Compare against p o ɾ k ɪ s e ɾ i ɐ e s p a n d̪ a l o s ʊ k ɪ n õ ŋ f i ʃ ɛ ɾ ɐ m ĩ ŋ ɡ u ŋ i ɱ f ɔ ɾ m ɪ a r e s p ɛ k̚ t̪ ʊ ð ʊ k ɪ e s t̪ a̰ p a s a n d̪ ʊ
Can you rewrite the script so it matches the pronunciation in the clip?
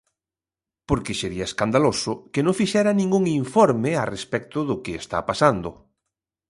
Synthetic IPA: p o ɾ k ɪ s e ɾ i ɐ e s k a n d̪ a l o s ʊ k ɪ n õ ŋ f i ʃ ɛ ɾ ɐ n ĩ ŋ ɡ u ŋ i ɱ f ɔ ɾ m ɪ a r e s p ɛ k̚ t̪ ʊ ð ʊ k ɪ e s t̪ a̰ p a s a n d̪ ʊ